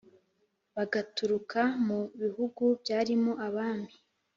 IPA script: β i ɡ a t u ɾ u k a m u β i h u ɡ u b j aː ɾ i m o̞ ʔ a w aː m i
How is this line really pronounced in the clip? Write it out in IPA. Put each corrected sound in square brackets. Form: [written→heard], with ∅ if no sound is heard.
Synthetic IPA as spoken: β [i→a] ɡ a t u ɾ u k a m u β i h u ɡ u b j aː ɾ i m o̞ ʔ a [w→β] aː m i